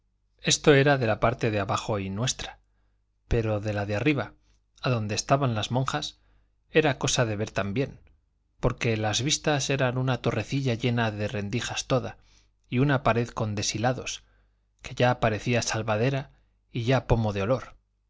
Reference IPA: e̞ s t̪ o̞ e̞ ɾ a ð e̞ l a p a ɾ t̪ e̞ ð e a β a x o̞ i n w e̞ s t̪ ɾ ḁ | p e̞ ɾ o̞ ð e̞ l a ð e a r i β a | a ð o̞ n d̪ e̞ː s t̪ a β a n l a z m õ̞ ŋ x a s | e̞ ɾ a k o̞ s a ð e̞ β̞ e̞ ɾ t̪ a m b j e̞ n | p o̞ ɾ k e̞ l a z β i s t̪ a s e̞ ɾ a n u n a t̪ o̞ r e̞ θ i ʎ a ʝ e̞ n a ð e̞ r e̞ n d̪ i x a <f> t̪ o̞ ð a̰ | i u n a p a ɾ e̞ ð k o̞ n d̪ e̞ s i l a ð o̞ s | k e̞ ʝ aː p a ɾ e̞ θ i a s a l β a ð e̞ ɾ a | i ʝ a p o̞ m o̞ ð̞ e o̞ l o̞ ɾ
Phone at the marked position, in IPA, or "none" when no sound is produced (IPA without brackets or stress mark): s